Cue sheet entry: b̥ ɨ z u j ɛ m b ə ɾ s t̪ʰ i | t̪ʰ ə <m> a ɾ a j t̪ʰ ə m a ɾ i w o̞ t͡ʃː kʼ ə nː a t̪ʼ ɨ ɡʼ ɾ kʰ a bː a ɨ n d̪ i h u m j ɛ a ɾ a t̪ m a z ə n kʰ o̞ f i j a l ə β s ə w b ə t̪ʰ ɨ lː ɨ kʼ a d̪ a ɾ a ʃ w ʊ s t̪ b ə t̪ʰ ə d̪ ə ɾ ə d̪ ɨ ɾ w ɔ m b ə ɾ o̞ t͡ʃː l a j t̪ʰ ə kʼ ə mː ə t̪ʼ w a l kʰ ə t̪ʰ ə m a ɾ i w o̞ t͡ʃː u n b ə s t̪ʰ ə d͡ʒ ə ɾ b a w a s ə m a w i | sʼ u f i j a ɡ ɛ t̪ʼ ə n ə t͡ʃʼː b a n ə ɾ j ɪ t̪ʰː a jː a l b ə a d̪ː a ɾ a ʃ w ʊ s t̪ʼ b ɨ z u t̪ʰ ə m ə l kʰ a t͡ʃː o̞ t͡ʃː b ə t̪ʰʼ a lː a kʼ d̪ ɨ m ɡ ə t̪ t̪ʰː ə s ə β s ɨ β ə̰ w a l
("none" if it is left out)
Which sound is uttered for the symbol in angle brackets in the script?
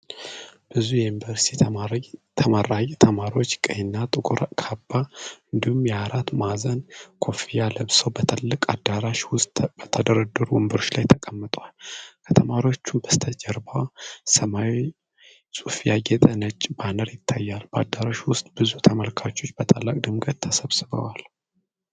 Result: m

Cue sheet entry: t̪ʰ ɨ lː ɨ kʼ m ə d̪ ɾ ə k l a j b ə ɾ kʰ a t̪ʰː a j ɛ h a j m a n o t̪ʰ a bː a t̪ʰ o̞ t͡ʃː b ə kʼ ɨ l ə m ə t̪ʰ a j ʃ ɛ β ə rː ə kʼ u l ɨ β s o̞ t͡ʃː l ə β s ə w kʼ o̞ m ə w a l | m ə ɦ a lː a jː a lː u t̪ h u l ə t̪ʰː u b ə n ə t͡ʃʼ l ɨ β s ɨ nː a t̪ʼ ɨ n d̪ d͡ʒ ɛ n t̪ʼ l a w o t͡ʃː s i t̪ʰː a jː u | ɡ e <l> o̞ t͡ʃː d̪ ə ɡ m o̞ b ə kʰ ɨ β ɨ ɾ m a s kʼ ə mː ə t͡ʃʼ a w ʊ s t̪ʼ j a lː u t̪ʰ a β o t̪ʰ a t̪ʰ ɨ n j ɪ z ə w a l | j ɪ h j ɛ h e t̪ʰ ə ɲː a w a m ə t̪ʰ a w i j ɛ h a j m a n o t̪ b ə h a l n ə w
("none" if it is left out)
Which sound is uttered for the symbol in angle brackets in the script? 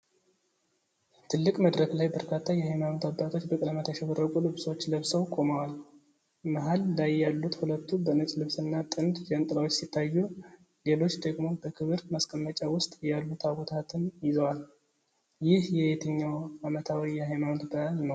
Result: l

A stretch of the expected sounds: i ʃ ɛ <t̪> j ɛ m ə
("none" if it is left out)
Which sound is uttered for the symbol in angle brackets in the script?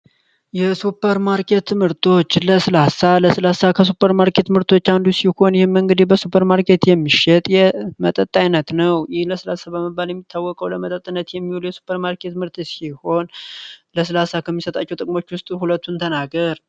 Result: t̪ʼ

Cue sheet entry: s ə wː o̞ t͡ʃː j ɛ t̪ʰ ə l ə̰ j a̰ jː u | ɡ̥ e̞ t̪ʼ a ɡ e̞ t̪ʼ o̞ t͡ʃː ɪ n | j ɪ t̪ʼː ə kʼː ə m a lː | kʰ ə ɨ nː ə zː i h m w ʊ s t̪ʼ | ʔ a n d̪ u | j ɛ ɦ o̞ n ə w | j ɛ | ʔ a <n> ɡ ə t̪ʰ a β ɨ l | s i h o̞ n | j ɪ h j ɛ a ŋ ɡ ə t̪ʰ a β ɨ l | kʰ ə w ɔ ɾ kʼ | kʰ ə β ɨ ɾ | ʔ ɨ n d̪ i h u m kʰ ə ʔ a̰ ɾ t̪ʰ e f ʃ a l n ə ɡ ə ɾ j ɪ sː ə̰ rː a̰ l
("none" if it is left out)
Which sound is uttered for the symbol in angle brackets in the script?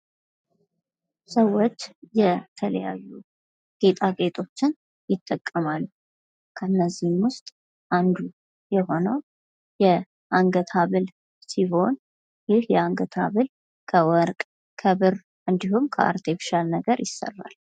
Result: ŋ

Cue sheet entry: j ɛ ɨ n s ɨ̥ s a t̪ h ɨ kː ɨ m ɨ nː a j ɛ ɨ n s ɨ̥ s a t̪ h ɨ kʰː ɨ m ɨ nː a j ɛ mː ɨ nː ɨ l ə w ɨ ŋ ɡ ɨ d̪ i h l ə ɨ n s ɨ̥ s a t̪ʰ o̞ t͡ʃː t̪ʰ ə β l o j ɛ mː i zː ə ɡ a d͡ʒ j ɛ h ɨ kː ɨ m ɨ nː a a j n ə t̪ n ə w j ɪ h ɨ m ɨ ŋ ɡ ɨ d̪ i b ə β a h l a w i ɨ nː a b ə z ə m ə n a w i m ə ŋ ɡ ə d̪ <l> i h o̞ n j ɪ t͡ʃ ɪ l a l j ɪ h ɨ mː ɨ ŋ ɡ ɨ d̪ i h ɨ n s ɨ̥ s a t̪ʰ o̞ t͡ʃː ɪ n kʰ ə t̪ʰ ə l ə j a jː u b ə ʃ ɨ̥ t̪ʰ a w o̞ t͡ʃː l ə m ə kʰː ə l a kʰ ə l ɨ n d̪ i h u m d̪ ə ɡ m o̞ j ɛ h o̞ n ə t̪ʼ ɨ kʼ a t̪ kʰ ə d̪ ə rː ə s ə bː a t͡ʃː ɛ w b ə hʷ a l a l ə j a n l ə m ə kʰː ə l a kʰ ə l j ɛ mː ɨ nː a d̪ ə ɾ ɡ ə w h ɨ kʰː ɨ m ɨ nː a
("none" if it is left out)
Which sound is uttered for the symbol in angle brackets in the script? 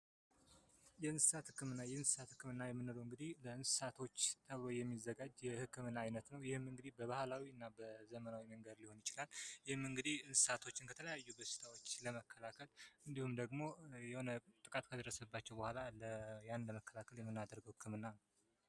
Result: l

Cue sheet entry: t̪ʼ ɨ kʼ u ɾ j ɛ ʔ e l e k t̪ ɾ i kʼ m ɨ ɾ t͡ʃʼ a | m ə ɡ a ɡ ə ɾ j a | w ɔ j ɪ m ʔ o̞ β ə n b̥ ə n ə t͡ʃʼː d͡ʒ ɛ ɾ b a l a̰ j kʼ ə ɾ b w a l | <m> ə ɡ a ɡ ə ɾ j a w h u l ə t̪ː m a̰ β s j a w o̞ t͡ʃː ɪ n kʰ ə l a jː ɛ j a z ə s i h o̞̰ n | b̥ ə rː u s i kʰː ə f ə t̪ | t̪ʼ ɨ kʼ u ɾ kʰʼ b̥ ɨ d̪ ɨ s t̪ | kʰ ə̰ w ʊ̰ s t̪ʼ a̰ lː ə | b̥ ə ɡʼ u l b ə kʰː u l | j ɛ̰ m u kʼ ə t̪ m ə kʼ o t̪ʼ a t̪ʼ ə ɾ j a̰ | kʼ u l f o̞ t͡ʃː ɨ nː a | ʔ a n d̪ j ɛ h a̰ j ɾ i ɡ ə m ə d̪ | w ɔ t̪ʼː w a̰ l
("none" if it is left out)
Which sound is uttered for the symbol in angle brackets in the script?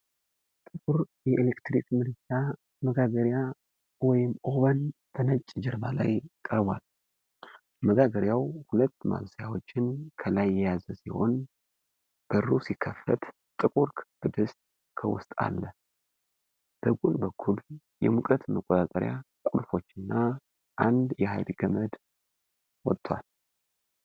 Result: m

